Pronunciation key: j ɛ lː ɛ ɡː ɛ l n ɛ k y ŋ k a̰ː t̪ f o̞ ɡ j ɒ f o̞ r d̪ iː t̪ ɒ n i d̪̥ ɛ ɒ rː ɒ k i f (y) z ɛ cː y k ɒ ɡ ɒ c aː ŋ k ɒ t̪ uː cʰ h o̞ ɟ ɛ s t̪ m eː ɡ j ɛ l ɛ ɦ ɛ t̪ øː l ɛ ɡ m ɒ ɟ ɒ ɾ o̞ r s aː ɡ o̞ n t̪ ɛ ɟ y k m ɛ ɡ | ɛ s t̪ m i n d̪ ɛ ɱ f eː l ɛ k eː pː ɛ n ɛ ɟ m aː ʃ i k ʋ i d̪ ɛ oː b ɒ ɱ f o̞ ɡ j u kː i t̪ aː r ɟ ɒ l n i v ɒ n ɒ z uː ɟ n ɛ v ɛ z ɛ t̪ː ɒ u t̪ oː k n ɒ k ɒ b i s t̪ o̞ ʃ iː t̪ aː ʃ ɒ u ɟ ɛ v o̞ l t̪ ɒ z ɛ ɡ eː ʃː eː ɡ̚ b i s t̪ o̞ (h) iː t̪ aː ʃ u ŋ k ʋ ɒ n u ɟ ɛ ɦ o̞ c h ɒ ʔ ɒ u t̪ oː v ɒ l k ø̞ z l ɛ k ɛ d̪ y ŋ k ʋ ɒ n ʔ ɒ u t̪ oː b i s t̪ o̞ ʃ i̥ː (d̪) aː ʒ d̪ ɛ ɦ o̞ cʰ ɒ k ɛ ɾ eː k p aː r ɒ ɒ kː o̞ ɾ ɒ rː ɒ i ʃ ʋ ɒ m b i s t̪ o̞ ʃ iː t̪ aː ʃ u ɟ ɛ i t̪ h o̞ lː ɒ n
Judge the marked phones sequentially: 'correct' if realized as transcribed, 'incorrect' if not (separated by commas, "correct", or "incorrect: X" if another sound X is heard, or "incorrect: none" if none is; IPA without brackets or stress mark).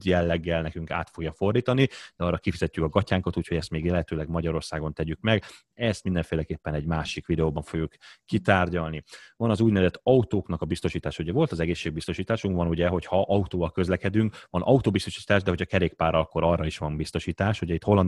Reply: incorrect: i, incorrect: ʃ, incorrect: t̪